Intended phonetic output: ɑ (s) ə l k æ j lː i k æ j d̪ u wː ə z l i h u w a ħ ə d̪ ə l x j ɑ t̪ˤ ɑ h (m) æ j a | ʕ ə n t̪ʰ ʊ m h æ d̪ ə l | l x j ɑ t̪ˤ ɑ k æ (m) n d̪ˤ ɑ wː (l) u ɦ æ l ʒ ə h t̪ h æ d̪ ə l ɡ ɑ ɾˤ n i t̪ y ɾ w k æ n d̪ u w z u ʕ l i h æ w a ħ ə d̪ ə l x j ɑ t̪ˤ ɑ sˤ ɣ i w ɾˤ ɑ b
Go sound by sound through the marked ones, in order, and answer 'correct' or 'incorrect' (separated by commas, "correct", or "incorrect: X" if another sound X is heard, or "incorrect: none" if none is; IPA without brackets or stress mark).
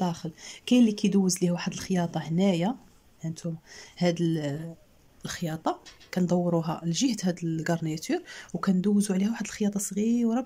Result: incorrect: x, incorrect: n, incorrect: none, incorrect: ɾ